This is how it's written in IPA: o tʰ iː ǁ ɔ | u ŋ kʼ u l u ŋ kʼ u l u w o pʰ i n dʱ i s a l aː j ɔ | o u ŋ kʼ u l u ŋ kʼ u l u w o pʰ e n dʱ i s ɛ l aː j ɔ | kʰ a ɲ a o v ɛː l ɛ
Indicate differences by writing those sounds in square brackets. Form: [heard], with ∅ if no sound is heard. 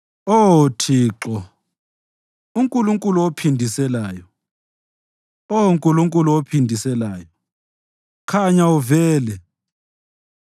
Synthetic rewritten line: o tʰ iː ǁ ɔ | u ŋ kʼ u l u ŋ kʼ u l u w o pʰ i n dʱ i s [ɛ] l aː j ɔ | o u ŋ kʼ u l u ŋ kʼ u l u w o pʰ [i] n dʱ i s ɛ l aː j ɔ | kʰ a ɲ a [u] v ɛː l ɛ